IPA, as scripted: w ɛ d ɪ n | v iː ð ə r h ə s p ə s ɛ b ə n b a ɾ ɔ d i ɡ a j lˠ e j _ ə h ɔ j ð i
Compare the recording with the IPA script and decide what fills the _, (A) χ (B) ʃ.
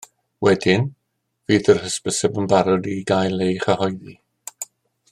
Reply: A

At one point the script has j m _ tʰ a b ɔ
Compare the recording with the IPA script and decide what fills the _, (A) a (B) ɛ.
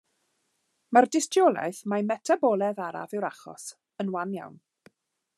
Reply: B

